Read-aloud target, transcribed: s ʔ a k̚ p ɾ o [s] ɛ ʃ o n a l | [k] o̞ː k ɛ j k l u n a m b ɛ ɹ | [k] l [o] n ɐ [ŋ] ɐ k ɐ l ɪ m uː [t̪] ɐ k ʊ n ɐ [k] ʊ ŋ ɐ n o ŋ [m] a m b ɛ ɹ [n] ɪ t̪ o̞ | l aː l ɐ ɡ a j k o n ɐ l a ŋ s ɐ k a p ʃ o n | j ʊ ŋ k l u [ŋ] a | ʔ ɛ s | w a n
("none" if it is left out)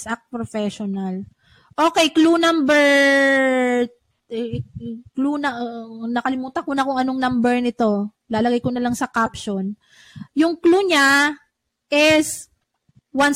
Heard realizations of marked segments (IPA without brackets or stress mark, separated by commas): f, ʔ, k, u, n, t̪, k, n, n, ɲ